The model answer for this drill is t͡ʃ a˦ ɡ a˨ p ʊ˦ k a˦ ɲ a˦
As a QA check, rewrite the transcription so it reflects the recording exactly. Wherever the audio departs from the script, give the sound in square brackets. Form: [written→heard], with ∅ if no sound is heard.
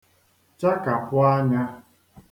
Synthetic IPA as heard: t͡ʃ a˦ [ɡ→k] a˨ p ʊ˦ [k→∅] a˦ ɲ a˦